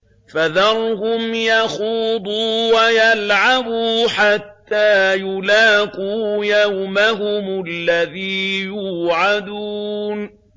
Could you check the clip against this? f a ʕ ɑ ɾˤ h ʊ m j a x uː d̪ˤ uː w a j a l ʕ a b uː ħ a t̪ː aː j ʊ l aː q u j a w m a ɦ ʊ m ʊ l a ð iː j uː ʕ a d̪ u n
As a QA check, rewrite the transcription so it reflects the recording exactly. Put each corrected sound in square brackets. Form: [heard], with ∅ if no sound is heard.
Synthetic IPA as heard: f a [ð] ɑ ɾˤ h ʊ m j a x uː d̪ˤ uː w a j a l ʕ a b uː ħ a t̪ː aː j ʊ l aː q u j a w m a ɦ ʊ m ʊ [lː] a ð iː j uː ʕ a d̪ u n